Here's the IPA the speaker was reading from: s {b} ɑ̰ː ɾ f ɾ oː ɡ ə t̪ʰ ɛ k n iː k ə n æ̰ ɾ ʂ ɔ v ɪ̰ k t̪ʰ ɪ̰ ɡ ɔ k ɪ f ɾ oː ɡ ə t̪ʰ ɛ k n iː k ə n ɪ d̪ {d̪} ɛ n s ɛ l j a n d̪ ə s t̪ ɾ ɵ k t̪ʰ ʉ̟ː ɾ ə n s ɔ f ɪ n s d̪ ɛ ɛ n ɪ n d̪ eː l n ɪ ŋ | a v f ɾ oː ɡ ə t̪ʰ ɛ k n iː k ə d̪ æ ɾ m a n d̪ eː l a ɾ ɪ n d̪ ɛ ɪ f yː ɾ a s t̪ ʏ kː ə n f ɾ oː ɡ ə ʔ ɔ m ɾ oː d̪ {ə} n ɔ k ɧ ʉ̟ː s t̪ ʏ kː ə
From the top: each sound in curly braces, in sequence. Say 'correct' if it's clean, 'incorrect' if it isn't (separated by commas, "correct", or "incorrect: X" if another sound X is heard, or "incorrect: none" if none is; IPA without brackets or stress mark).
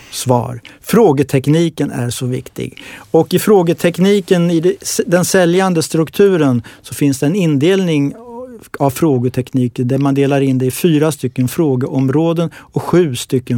incorrect: v, correct, correct